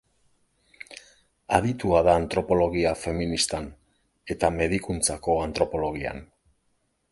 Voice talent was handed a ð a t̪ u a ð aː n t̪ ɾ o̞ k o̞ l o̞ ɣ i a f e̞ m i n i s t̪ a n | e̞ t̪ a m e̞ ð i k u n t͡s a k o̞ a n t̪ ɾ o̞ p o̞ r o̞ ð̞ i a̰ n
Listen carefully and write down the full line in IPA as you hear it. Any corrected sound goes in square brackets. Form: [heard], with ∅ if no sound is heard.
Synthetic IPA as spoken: a ð [i] t̪ u a ð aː n t̪ ɾ o̞ [p] o̞ l o̞ ɣ i a f e̞ m i n i s t̪ a n | e̞ t̪ a m e̞ ð i k u n t͡s a k o̞ a n t̪ ɾ o̞ p o̞ [l] o̞ [ɣ̞] i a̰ n